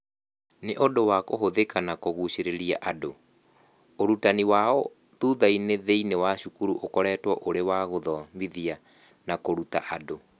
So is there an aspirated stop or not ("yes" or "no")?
no